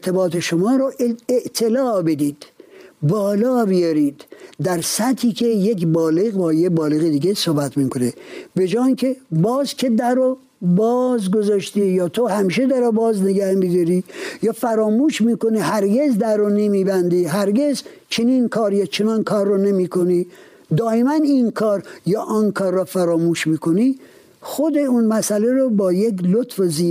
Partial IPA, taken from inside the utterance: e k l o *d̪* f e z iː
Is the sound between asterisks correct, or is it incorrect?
incorrect